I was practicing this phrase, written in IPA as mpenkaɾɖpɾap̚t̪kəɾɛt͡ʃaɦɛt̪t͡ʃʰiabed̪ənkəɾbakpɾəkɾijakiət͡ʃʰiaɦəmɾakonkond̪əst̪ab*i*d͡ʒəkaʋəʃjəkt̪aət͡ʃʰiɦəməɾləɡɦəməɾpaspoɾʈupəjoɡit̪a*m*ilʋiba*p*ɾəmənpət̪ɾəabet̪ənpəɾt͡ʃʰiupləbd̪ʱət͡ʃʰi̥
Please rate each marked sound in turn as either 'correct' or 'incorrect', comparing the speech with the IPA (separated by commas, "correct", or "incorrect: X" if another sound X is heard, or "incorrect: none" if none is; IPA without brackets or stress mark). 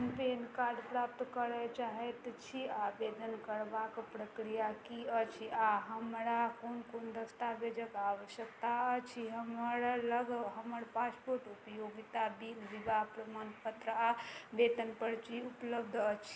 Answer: incorrect: e, incorrect: b, correct